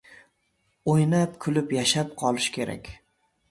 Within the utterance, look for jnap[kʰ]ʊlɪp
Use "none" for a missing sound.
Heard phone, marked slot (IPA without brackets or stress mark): kʰ